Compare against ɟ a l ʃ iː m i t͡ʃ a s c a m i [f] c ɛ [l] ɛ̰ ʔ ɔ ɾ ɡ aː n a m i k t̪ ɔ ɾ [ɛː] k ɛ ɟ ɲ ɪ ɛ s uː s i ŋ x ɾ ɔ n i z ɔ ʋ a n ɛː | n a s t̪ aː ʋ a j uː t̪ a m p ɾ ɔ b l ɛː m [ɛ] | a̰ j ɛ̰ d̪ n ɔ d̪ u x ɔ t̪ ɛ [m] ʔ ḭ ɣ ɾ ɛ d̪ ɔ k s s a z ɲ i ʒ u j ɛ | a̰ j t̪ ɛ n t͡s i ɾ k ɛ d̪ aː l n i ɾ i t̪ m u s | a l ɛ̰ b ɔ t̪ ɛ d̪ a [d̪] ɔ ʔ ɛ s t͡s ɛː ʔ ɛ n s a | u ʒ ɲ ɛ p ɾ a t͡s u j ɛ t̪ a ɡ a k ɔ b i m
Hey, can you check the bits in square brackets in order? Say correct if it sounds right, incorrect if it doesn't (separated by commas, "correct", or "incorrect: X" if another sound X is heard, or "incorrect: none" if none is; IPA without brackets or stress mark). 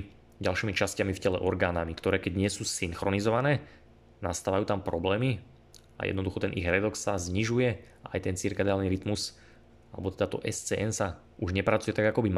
correct, correct, correct, incorrect: i, incorrect: n, incorrect: t̪